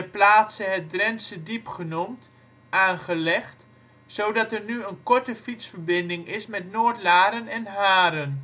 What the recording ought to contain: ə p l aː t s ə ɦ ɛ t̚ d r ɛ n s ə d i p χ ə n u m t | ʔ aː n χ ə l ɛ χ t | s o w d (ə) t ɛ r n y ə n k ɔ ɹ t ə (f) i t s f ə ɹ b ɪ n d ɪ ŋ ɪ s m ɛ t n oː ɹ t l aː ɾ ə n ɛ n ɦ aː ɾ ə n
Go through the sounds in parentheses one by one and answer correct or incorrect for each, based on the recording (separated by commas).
incorrect, correct